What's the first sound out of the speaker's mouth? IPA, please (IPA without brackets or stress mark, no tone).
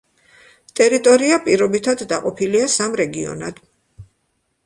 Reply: t̪ʼ